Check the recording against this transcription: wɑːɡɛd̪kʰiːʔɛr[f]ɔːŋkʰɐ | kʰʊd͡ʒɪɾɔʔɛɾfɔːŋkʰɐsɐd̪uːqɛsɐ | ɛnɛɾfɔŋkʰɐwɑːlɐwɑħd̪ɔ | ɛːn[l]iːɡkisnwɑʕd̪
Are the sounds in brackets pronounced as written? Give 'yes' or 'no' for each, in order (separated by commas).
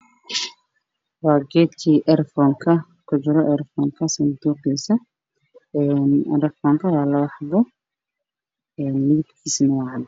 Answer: yes, yes